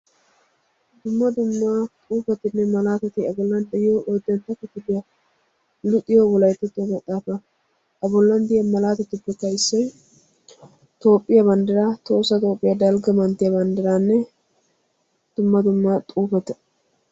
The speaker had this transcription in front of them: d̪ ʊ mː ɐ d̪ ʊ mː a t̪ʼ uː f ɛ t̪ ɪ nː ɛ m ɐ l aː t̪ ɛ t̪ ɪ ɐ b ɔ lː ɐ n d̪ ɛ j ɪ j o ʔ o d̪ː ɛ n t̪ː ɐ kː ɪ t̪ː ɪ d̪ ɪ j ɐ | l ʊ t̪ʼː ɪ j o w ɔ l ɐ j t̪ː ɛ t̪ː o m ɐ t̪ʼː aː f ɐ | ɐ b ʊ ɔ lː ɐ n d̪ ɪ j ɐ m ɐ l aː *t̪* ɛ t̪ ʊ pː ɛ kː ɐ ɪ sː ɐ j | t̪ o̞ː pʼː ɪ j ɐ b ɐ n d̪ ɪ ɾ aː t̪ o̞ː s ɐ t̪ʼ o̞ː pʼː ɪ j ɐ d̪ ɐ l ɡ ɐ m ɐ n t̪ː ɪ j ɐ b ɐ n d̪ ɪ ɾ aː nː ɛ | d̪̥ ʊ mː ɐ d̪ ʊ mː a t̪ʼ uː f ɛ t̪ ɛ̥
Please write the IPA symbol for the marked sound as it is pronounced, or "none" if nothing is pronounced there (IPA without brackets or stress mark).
t̪